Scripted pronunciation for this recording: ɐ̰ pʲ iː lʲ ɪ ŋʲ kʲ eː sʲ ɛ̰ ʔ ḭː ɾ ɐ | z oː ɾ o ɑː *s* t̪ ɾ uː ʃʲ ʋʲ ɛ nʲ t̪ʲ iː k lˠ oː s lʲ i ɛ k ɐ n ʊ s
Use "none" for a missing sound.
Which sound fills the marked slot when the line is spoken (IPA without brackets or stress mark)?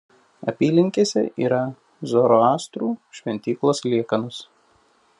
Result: s